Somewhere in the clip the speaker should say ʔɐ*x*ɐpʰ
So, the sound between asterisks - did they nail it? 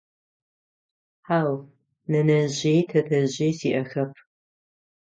yes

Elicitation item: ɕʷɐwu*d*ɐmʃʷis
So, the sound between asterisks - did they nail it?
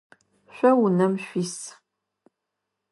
no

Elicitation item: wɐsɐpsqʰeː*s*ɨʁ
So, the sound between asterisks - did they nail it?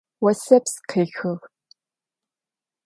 no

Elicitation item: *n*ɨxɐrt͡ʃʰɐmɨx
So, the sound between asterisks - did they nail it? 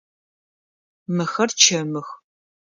no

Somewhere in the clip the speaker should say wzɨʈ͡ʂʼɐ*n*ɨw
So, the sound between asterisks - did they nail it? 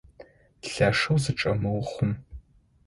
no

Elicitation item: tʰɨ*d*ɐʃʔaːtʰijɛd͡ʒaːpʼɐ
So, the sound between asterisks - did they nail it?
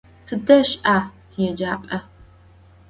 yes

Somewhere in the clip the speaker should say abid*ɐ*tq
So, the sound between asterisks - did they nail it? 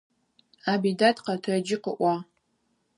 no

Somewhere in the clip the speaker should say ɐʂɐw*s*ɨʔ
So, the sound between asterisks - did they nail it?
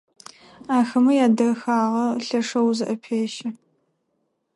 no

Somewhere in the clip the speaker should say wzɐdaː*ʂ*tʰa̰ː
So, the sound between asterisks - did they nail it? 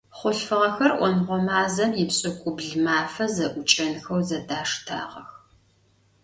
yes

